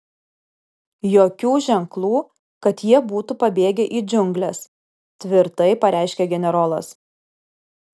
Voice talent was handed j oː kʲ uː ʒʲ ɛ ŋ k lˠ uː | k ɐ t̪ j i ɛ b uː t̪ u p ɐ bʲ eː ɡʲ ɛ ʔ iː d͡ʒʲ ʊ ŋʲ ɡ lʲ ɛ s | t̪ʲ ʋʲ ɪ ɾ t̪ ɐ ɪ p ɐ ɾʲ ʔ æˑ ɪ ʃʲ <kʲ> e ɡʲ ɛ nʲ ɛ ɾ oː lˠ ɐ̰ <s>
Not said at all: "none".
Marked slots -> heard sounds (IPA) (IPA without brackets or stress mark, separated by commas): kʲ, s